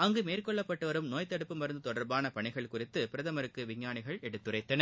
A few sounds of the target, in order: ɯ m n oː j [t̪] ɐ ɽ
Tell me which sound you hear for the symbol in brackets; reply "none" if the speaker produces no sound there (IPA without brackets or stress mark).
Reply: t̪